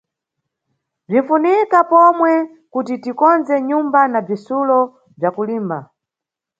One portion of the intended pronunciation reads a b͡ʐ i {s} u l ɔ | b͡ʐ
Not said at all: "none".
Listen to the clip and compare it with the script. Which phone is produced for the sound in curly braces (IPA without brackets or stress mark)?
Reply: s